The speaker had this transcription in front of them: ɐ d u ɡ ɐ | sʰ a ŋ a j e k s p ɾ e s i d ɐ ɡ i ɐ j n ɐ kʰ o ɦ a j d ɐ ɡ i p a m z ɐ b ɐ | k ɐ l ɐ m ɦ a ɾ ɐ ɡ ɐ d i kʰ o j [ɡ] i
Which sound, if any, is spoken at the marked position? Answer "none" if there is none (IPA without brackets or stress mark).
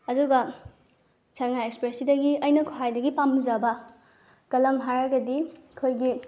ɡ